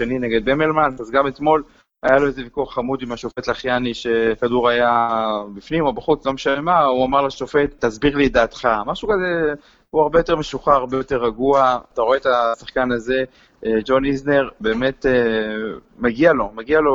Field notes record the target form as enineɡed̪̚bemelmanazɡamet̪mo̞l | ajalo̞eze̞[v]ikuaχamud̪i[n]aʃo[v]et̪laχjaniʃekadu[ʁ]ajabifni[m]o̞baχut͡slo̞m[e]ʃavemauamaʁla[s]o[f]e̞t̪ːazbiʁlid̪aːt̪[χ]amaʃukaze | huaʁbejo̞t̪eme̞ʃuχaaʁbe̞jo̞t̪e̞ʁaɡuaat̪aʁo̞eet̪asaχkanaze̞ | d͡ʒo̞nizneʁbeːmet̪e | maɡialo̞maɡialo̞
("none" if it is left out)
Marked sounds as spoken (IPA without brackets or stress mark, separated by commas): v, m, f, ʁ, m, e, ʃ, f, χ